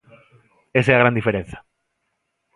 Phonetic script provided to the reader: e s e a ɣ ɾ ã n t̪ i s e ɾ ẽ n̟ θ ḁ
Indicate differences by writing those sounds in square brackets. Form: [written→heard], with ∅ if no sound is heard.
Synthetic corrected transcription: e s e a ɣ ɾ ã n [t̪→d̪] i [s→f] e ɾ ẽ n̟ θ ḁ